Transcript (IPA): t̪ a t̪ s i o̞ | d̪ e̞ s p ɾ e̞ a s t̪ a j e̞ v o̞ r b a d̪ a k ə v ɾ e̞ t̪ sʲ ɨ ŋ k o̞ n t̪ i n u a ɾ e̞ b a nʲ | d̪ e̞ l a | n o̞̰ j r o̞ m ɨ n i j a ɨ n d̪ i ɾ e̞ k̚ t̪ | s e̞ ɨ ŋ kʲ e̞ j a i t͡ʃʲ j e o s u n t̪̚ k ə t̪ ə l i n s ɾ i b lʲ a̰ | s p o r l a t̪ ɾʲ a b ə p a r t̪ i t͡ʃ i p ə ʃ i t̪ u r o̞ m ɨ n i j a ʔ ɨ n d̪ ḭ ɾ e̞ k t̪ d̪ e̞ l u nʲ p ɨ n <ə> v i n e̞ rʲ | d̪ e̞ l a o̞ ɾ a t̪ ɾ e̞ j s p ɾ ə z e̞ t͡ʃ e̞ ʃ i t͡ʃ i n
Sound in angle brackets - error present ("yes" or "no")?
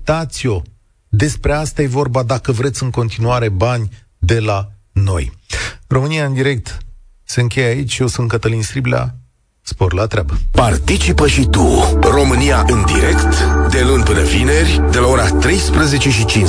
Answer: no